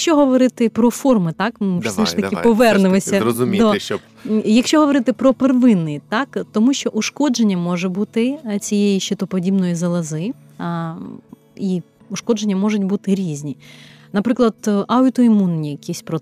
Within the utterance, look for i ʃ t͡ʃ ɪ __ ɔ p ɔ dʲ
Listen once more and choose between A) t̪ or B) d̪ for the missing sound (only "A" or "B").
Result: A